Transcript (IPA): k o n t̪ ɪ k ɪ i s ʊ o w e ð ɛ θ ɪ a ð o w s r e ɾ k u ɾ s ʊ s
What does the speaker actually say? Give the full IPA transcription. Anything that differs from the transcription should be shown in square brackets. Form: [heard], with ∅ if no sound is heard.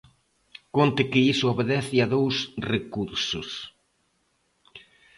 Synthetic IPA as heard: k o n t̪ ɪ k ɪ i s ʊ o [β] e ð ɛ θ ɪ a ð o w s r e [∅] k u ɾ s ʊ s

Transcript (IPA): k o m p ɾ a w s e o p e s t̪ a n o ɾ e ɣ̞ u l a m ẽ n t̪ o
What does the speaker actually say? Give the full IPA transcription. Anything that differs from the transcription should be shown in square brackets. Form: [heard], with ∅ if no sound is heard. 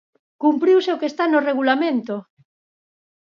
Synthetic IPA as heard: k [u] m p ɾ [i] w s e o [k] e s t̪ a n o [r] e ɣ̞ u l a m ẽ n t̪ o

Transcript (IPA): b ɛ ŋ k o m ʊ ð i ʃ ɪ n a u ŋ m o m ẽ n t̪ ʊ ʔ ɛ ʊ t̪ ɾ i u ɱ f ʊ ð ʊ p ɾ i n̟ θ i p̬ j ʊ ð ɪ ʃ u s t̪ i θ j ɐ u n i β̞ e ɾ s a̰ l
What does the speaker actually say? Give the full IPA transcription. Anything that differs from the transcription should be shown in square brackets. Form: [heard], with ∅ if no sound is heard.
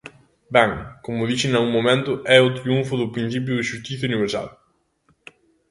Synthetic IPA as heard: b ɛ ŋ k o m ʊ ð i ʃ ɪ n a u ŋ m o m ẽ n t̪ ʊ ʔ ɛ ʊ t̪ ɾ i u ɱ f ʊ ð ʊ p ɾ i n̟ θ i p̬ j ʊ ð ɪ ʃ u s t̪ i θ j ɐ u n i β̞ e ɾ s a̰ l

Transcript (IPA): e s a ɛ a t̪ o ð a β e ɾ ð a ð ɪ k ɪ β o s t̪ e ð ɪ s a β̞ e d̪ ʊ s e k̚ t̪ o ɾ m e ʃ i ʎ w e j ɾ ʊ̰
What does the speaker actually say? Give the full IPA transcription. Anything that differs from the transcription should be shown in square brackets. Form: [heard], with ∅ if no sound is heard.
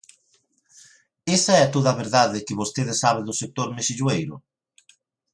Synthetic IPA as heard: e s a ɛ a t̪ o ð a β e ɾ ð a ð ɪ k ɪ β o s t̪ e ð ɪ s a β̞ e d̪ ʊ s e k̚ t̪ o ɾ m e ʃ i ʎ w e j ɾ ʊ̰

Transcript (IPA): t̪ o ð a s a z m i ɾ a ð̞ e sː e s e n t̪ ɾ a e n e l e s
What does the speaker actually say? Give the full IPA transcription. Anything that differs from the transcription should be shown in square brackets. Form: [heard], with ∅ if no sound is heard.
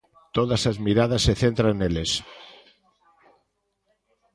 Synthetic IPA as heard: t̪ o ð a s a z m i ɾ a ð̞ [a] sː e [θ] e n t̪ ɾ a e n e l e s

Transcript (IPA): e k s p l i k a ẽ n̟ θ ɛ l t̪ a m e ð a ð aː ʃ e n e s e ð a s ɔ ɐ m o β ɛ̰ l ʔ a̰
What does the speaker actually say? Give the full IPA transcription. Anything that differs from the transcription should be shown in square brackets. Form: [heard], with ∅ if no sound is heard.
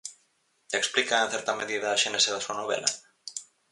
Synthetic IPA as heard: e k s p l i k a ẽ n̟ θ ɛ [ɾ] t̪ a m e ð [i] ð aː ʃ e n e s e ð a s [u] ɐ [n] o β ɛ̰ l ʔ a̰

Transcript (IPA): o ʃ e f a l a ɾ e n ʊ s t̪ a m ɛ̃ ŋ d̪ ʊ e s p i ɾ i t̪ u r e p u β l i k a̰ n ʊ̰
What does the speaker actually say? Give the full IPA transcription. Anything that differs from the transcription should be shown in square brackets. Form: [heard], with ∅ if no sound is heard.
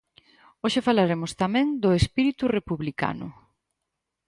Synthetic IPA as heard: o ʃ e f a l a ɾ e [m] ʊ s t̪ a m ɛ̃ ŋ d̪ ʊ e s p i ɾ i t̪ u r e p u β l i k a̰ n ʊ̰

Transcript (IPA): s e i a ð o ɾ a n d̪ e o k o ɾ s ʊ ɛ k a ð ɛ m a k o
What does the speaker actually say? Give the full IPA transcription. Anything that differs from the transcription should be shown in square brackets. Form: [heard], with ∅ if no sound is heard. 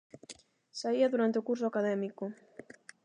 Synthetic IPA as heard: s [a] i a ð [u] ɾ a n [t̪] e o k [u] ɾ s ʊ [a] k a ð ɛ m [i] k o

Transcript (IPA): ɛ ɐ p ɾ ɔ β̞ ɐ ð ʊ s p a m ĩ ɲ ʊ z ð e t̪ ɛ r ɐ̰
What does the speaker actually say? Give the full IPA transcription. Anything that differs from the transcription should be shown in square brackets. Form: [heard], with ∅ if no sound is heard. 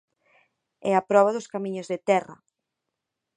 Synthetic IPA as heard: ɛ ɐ p ɾ ɔ β̞ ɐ ð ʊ s [k] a m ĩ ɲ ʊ z ð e t̪ ɛ r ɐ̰

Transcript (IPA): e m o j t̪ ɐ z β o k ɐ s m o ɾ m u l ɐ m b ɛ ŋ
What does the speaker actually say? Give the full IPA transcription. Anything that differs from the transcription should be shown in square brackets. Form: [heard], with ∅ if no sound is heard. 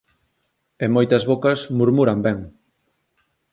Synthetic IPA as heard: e m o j t̪ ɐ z β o k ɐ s m [u] ɾ m u [ɾ] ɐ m b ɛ ŋ

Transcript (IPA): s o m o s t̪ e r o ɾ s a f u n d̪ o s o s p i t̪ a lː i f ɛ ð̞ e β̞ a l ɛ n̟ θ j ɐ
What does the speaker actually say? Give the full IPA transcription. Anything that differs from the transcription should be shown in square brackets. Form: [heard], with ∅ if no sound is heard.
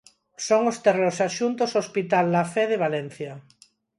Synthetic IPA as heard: s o [ŋ] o s t̪ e r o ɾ s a [ʃ] u n [t̪] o s o s p i t̪ a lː [a] f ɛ ð̞ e β̞ a l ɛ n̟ θ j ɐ

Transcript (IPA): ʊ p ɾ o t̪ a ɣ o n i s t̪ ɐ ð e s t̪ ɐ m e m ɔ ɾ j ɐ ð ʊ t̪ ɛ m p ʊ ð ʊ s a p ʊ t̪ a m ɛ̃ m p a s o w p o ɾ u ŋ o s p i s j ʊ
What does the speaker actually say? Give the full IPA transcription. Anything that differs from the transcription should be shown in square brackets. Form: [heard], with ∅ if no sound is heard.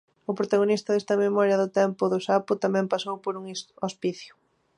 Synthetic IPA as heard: ʊ p ɾ o t̪ a ɣ o n i s t̪ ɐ ð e s t̪ ɐ m e m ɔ ɾ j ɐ ð ʊ t̪ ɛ m p ʊ ð ʊ s a p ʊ t̪ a m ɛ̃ m p a s o w p o ɾ u ŋ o s p i [θ] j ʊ

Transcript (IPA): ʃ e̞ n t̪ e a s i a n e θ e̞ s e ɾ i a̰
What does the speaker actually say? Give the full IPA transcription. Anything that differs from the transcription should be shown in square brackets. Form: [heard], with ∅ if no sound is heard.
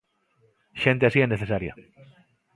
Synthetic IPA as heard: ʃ e̞ n t̪ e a s i [e] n e θ e̞ s [a] ɾ [j] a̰

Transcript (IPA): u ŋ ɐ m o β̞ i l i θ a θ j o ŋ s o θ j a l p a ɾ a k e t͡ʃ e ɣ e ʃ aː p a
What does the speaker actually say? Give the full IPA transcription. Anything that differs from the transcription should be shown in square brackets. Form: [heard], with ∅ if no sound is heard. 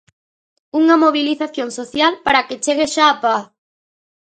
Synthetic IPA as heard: u ŋ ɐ m o β̞ i l i θ a θ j o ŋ s o θ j a l p a ɾ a k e t͡ʃ e ɣ e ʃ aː p a

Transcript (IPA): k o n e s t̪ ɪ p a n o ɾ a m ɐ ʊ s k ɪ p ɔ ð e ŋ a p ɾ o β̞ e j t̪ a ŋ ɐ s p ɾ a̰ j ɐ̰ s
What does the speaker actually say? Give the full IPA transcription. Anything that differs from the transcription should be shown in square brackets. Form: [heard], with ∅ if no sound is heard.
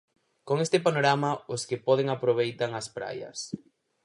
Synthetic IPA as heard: k o [ŋ] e s t̪ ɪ p a n o ɾ a m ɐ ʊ s k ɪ p ɔ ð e ŋ a p ɾ o β̞ e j t̪ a ŋ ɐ s p ɾ a̰ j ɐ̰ s

